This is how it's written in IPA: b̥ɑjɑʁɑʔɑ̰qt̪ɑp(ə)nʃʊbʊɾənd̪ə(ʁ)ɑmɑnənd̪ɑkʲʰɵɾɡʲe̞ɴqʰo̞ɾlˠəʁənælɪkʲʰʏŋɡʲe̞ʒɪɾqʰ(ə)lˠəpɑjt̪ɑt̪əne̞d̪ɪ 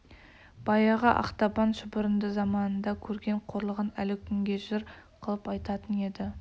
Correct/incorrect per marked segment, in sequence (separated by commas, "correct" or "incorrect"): incorrect, incorrect, correct